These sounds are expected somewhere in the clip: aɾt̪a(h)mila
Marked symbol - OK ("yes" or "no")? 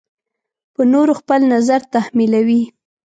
yes